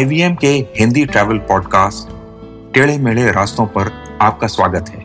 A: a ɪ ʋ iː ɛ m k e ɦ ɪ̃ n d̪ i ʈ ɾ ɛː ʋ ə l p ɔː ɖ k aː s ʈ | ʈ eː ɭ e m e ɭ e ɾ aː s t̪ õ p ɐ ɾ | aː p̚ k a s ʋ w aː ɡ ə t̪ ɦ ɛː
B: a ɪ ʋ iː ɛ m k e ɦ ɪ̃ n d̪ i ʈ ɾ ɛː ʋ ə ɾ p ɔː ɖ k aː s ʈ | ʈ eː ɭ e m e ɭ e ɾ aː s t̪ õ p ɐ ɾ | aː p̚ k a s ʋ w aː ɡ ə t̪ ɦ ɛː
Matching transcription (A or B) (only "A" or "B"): A